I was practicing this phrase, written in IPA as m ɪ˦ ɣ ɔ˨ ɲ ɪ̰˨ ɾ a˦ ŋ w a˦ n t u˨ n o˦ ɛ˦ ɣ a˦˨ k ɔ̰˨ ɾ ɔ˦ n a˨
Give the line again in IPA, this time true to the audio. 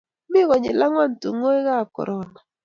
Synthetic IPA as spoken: m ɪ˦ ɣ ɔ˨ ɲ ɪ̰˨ l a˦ ŋ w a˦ n t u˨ ŋ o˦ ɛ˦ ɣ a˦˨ k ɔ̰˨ ɾ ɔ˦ n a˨